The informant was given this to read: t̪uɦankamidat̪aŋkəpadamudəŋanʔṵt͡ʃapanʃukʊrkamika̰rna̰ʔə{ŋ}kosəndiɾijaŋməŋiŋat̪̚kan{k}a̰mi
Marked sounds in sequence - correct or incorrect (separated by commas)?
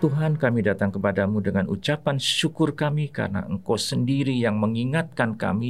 correct, correct